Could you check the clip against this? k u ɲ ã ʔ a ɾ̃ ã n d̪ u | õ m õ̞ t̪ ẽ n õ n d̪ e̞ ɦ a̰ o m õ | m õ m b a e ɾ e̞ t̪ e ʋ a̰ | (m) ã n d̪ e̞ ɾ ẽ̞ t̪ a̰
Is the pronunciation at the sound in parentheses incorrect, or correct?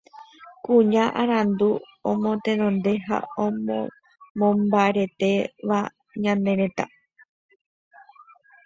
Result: incorrect